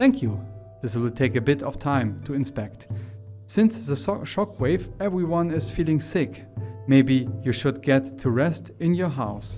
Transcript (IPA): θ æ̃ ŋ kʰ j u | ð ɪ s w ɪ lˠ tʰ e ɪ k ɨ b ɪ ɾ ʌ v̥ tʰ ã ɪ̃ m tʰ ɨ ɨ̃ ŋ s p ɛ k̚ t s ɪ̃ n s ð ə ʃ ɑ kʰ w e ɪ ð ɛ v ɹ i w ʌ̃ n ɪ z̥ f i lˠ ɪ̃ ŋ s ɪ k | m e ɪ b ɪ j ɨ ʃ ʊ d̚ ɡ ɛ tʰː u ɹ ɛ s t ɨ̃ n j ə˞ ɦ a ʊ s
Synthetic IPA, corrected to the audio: θ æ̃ ŋ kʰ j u | ð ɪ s w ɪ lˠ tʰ e ɪ k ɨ b ɪ ɾ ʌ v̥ tʰ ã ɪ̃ m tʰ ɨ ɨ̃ n s p ɛ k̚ t s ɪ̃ n s ð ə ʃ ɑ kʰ w e ɪ v ɛ v ɹ i w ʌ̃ n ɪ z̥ f i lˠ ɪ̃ ŋ s ɪ k | m e ɪ b i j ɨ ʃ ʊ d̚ ɡ ɛ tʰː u ɹ ɛ s t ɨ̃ n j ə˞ ɦ a ʊ s